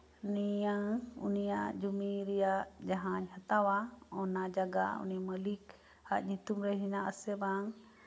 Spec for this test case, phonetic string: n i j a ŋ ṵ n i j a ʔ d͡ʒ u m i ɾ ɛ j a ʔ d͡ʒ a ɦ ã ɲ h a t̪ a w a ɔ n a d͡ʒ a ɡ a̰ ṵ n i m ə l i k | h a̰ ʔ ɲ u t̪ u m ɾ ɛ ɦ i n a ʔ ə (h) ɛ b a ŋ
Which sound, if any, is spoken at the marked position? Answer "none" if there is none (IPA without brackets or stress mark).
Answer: s